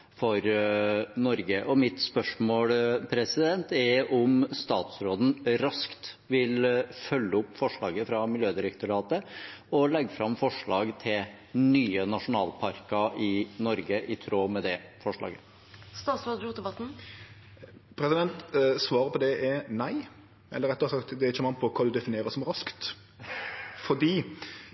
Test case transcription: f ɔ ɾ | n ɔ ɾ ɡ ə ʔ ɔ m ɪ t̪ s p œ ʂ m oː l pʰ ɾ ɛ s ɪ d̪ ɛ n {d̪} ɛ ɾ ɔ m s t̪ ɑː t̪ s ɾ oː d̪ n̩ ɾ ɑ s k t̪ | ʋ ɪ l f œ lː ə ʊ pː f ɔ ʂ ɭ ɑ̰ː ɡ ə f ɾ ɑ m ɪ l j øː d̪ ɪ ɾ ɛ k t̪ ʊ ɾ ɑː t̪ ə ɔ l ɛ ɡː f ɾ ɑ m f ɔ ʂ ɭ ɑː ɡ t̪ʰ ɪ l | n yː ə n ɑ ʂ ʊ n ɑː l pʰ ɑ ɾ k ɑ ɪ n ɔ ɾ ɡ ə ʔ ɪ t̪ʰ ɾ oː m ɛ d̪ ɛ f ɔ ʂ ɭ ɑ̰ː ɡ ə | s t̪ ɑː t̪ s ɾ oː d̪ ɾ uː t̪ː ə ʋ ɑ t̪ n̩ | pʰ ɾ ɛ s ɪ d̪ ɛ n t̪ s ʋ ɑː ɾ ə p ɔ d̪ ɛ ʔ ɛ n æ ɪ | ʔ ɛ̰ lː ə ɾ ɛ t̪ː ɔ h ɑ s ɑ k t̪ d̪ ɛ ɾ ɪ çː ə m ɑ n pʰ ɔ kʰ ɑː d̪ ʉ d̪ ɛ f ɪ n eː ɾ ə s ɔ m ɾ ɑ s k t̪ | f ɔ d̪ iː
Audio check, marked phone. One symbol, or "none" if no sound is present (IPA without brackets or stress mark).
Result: t̪